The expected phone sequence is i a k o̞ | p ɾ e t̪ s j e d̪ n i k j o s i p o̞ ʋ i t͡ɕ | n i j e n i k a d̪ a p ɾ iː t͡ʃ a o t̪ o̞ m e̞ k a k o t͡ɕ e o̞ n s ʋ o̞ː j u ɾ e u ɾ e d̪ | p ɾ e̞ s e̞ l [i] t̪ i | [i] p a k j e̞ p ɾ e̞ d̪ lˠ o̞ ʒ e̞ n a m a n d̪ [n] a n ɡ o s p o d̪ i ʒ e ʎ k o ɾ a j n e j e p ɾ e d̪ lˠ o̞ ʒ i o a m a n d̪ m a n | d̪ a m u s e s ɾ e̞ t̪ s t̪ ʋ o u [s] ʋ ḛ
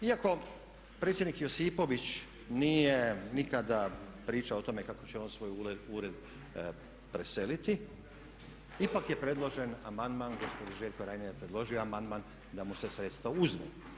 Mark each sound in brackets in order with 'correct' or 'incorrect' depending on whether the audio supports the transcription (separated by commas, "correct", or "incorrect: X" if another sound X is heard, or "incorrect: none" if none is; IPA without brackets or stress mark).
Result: correct, correct, incorrect: m, incorrect: z